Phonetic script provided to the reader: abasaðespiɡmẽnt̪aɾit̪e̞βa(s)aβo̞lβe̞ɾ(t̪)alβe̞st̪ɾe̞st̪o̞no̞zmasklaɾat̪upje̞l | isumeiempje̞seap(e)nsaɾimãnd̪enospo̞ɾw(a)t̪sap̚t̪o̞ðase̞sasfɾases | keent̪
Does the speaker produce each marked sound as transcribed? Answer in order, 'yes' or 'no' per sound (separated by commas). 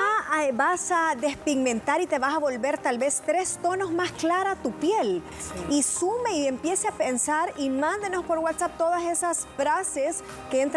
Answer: yes, yes, yes, yes